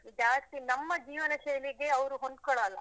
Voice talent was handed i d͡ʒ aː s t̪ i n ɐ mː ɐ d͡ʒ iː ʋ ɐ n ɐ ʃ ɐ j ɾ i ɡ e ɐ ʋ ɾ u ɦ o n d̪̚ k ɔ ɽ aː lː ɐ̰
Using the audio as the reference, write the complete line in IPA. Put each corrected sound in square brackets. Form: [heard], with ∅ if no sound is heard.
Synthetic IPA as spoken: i d͡ʒ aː s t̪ i n ɐ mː ɐ d͡ʒ iː ʋ ɐ n ɐ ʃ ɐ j [l] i ɡ e ɐ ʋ ɾ u ɦ o n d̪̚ k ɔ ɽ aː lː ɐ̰